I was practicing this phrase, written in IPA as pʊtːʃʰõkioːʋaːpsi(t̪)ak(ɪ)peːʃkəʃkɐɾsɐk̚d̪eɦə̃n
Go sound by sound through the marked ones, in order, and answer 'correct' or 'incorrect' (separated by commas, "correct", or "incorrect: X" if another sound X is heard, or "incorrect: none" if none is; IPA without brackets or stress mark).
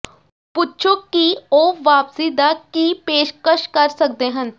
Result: incorrect: d̪, incorrect: i